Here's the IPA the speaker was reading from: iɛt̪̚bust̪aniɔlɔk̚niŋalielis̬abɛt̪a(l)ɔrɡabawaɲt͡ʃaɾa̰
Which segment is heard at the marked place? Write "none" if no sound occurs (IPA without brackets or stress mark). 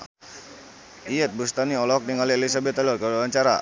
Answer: l